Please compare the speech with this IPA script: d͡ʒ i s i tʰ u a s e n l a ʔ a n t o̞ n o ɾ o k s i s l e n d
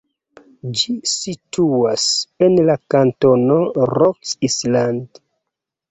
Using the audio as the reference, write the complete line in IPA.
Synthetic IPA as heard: d͡ʒ i s i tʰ u a s e n l a k a n t o̞ n o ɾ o k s i s l a n d